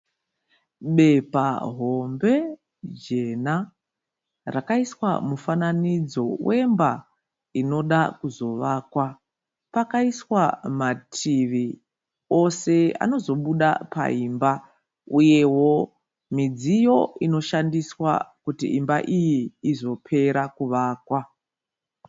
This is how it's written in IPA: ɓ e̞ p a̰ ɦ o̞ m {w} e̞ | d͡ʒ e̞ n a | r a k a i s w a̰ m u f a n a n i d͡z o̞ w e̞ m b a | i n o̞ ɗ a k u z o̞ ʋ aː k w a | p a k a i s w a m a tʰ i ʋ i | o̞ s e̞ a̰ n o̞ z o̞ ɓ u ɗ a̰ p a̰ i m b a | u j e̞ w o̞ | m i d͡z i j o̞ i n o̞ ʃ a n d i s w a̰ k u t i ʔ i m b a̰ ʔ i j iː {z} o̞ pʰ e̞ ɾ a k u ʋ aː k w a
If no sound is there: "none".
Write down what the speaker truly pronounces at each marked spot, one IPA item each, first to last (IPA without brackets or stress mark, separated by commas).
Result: b, z